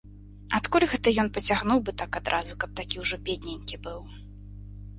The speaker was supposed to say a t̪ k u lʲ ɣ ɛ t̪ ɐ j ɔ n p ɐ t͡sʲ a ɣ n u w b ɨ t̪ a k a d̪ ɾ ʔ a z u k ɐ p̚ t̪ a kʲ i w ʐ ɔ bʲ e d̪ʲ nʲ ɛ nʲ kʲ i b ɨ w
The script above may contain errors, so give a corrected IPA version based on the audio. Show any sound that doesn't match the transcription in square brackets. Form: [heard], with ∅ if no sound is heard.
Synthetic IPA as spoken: a t̪ k u lʲ ɣ ɛ t̪ ɐ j ɔ n p ɐ t͡sʲ a ɣ n u w b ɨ t̪ a k a d̪ ɾ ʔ a z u k ɐ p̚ t̪ a kʲ i w ʐ ɔ bʲ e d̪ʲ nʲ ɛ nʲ kʲ i b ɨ w